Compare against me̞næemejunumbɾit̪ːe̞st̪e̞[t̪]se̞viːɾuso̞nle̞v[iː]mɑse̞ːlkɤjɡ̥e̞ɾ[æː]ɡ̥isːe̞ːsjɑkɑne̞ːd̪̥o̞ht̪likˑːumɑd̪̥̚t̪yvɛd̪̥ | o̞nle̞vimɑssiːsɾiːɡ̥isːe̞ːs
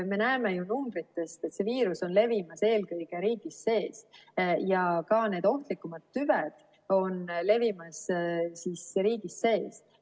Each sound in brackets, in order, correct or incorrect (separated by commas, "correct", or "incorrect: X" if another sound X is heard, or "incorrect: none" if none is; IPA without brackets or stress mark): correct, incorrect: i, incorrect: iː